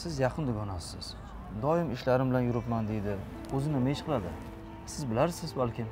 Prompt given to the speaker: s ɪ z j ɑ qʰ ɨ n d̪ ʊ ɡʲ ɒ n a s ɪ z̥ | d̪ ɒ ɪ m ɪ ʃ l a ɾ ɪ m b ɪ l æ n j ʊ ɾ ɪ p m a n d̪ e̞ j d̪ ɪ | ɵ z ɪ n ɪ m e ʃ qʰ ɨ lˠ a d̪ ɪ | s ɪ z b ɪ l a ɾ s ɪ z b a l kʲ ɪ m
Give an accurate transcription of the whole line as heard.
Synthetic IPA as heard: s ɪ z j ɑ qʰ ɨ n d̪ ʊ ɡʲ ɒ n a s ɪ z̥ | d̪ ɒ ɪ m ɪ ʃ l a ɾ ɪ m b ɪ l a n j ʊ ɾ ɪ p m a n d̪ e̞ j d̪ ɪ | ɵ z ɪ n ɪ m e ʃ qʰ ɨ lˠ a d̪ ɪ | s ɪ z b ɪ l a ɾ s ɪ z b a l kʲ ɪ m